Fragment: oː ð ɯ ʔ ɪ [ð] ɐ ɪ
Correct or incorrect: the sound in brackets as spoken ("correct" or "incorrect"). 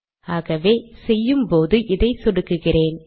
correct